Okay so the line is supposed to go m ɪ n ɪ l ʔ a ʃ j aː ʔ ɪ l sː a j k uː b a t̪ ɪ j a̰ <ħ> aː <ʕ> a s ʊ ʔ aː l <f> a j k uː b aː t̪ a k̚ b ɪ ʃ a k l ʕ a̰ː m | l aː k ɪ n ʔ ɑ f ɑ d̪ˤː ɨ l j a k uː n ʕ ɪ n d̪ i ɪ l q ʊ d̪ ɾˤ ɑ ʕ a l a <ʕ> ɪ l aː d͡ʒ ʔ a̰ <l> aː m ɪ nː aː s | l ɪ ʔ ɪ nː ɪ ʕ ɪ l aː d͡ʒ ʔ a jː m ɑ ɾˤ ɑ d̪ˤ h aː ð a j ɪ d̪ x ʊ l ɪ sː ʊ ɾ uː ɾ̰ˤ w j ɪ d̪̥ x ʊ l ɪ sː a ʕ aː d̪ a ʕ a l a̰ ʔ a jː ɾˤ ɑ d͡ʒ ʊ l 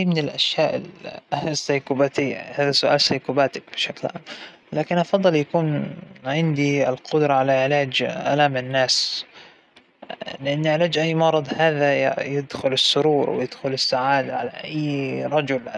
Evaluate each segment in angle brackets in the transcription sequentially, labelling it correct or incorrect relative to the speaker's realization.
incorrect: h, incorrect: ð, incorrect: s, correct, correct

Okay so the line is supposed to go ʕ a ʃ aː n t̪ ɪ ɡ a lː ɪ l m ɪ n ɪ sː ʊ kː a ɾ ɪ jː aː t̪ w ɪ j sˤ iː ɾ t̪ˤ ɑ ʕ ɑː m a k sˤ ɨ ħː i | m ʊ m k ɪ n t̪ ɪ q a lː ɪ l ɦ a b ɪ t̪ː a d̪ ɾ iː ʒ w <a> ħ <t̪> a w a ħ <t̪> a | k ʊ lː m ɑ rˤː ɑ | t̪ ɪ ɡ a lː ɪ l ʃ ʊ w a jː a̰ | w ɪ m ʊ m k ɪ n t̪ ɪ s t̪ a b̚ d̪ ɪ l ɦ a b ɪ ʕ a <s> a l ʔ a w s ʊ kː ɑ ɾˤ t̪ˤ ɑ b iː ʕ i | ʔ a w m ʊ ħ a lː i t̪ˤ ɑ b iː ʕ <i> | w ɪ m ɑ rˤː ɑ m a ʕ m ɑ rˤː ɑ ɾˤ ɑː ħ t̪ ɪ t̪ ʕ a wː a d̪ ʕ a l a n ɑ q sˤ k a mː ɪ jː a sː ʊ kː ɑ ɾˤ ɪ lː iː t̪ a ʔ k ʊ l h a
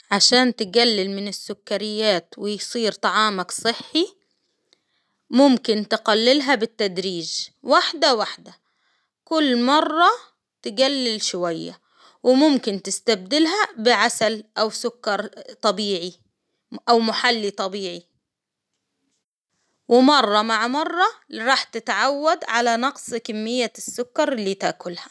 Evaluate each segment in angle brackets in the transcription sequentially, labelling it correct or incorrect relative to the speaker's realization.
correct, incorrect: d̪, incorrect: d̪, correct, correct

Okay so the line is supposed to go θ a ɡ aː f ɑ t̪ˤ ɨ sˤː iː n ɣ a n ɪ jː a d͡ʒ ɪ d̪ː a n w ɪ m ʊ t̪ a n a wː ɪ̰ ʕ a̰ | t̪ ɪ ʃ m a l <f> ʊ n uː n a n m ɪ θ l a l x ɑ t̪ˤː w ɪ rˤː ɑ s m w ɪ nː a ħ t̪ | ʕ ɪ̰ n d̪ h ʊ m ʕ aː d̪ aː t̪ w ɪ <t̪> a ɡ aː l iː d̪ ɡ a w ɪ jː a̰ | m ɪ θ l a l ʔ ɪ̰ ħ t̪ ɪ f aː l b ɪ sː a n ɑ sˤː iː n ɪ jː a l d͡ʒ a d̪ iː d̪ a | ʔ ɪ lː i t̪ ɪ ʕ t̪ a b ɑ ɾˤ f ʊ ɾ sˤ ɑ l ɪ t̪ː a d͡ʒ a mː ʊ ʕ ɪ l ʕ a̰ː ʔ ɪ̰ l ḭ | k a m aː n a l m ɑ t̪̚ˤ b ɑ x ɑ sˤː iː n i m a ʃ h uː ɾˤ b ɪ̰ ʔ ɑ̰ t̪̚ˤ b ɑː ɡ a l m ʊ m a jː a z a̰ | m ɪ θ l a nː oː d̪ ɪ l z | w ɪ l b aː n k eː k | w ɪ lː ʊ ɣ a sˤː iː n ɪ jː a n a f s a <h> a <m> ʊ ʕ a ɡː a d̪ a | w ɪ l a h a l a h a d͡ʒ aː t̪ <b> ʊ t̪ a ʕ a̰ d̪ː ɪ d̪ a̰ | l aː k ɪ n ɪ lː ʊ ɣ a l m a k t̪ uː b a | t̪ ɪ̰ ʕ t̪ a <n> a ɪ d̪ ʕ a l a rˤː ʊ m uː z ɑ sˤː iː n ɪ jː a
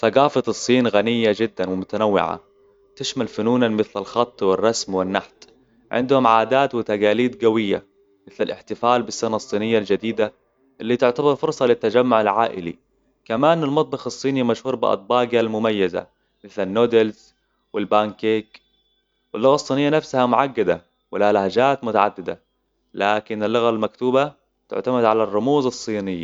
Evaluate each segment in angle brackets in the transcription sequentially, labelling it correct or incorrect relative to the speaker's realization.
correct, correct, correct, correct, incorrect: m, incorrect: m

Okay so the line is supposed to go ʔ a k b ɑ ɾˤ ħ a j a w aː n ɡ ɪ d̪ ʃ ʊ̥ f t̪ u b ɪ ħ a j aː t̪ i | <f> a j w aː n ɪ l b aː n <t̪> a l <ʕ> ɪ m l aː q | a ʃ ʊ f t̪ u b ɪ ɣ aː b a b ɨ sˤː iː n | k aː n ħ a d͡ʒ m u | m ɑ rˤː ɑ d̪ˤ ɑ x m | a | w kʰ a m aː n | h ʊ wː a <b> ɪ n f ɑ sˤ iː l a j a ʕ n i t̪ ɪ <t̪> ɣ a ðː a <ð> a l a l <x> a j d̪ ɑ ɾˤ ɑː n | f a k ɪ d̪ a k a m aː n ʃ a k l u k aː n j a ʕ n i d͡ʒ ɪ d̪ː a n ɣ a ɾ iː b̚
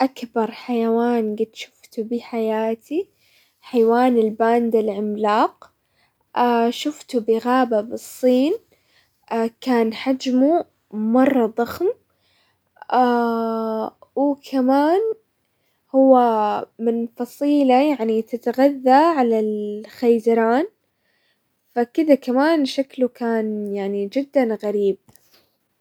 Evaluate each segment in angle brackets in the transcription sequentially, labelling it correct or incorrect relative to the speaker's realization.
incorrect: ħ, incorrect: d̪, correct, incorrect: m, correct, incorrect: ʕ, correct

